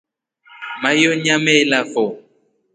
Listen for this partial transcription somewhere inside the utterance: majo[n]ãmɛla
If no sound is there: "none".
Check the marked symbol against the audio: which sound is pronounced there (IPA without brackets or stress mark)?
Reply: ɲ